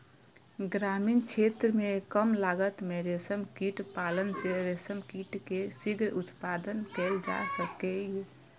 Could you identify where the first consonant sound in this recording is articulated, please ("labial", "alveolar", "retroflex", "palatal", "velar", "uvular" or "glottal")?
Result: velar